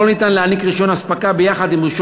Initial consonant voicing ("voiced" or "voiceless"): voiced